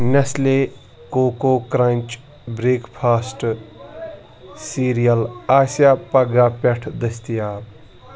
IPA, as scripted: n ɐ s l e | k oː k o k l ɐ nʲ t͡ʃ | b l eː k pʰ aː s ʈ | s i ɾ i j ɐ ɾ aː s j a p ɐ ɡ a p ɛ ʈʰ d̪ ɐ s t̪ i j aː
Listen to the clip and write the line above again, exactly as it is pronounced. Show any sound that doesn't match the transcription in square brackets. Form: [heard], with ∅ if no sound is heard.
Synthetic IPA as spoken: n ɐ s l e | k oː k o k [ɾ] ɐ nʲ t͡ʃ | b [ɾ] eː k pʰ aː s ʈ | s i ɾ i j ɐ [l] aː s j a p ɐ ɡ a p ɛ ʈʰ d̪ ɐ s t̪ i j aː